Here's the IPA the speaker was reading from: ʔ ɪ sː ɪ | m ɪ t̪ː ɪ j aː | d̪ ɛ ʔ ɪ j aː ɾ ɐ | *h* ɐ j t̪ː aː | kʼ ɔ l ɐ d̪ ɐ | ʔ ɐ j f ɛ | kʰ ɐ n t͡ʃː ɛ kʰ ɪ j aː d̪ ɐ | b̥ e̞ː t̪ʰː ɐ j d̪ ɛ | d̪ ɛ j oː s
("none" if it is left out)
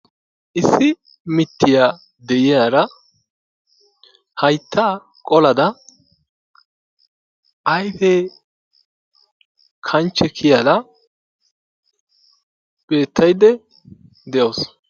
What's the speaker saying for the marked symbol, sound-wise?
h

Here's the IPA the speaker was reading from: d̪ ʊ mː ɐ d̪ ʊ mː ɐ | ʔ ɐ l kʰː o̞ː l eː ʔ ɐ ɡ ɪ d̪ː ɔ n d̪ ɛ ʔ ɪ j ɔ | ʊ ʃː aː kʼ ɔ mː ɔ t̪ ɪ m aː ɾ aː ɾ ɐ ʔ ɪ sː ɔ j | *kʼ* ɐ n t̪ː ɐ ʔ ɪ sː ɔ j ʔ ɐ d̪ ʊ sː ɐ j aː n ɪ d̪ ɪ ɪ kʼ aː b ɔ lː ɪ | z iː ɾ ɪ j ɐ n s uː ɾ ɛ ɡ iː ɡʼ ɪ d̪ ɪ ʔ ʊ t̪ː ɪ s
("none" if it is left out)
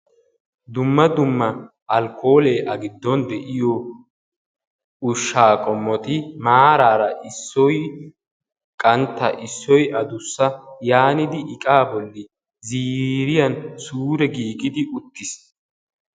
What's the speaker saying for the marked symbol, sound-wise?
kʼ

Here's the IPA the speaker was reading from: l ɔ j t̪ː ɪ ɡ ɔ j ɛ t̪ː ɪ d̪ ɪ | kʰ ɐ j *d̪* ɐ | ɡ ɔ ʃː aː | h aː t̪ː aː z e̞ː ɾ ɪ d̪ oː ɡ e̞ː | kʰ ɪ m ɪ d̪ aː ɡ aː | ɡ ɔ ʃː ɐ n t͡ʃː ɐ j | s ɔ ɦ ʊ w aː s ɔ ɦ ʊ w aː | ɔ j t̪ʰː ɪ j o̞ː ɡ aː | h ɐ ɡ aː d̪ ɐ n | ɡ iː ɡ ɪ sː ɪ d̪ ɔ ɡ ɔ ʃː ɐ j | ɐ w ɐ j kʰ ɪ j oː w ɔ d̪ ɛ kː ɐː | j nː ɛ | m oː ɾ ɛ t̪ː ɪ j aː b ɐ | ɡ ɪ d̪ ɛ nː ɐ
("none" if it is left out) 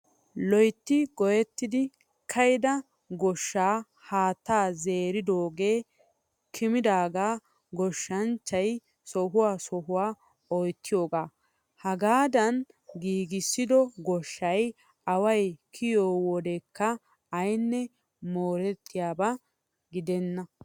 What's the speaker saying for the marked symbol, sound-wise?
d̪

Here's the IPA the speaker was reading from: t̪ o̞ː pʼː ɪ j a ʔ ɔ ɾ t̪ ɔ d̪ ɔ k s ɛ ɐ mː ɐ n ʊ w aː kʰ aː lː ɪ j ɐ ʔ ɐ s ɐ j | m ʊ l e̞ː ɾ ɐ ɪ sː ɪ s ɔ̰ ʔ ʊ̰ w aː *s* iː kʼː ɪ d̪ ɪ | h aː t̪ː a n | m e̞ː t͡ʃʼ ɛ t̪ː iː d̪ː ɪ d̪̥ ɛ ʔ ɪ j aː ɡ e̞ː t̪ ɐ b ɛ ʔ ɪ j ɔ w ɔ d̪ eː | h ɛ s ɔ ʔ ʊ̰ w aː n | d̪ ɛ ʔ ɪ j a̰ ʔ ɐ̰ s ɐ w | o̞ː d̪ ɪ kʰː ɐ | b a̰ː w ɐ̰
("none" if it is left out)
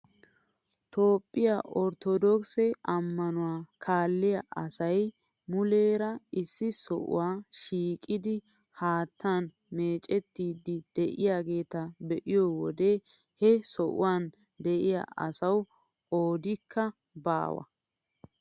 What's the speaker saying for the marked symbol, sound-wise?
ʃ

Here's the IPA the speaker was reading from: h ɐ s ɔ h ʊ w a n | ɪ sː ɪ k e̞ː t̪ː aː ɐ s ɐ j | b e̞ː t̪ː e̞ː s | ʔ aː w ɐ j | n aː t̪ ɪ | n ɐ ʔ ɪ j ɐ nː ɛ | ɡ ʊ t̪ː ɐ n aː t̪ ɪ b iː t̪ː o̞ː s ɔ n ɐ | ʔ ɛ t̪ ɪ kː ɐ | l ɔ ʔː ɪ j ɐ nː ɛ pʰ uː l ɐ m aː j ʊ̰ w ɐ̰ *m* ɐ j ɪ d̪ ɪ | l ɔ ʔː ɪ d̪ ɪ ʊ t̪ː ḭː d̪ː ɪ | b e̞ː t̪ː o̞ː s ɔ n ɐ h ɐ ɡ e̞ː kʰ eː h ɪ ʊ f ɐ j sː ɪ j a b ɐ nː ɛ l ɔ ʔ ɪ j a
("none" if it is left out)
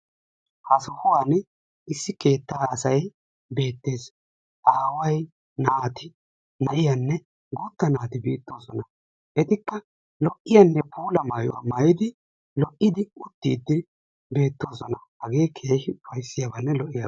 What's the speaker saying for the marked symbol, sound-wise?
m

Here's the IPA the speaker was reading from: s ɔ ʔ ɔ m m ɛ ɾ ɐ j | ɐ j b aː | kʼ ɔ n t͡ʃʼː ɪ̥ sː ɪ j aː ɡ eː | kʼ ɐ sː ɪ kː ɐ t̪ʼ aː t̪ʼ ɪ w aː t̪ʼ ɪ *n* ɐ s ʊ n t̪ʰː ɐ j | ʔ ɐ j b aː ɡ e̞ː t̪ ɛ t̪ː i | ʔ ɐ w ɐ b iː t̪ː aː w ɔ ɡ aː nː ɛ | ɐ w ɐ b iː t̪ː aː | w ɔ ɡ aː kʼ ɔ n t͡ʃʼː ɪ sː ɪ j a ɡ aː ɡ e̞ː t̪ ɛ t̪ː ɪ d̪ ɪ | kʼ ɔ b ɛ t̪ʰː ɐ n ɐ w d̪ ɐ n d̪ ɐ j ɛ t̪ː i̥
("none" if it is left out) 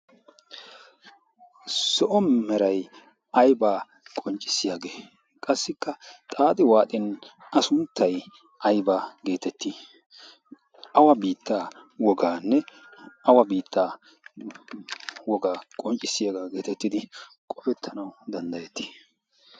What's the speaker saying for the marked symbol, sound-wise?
n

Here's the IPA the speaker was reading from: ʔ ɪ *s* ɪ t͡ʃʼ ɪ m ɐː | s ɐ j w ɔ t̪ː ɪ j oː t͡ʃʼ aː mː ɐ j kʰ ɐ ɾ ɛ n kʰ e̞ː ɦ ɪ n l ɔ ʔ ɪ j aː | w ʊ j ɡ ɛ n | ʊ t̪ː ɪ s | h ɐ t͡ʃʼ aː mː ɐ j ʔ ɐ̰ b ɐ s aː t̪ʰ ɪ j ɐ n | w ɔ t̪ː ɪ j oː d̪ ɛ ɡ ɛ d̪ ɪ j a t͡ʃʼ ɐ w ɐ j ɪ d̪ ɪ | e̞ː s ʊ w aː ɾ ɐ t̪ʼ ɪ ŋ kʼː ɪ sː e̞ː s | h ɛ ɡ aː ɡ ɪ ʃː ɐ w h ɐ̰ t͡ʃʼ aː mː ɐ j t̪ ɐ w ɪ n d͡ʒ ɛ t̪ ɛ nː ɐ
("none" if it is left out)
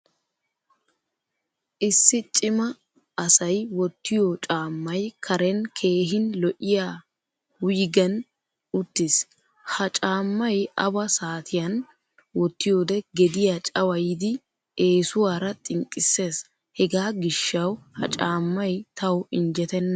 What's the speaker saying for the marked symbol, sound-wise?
sː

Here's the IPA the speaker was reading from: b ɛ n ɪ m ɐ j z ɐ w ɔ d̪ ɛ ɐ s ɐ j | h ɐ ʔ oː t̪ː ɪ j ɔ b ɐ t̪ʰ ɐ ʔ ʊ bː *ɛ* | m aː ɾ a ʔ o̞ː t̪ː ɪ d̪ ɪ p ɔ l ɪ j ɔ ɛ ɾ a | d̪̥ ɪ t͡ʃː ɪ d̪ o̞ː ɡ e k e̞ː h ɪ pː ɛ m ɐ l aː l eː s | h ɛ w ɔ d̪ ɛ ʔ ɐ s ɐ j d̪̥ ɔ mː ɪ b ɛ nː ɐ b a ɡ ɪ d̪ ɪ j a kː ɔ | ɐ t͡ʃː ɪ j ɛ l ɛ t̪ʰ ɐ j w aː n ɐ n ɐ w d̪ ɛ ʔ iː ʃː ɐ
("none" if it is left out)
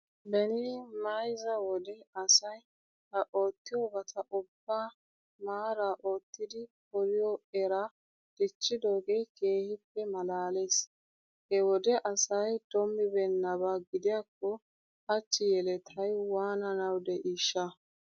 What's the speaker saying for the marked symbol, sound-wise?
a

